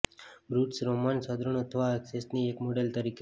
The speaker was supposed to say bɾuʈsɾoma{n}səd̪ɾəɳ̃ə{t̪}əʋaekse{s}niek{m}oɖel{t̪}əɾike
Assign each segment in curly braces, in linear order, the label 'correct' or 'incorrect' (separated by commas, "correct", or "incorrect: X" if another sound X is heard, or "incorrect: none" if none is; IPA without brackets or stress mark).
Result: correct, incorrect: t̪ʰ, correct, correct, correct